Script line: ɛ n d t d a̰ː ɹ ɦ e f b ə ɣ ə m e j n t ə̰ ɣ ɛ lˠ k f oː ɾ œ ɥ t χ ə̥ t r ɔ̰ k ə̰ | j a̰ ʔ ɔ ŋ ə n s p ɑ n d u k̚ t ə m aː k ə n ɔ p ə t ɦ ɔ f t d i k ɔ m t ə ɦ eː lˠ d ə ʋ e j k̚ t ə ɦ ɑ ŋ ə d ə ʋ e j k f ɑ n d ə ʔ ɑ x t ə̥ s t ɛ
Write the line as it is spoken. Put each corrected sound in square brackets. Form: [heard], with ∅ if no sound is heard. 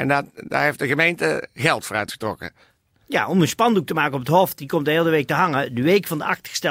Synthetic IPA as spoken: ɛ n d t d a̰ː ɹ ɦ e f [d] ə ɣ ə m e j n t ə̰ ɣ ɛ lˠ [t] f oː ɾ œ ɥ t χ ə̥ t r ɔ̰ k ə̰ | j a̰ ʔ ɔ [m] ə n s p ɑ n d u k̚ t ə m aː k ə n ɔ p ə t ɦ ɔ f t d i k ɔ m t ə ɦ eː lˠ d ə ʋ e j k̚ t ə ɦ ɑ ŋ ə d ə ʋ e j k f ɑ n d ə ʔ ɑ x t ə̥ s t ɛ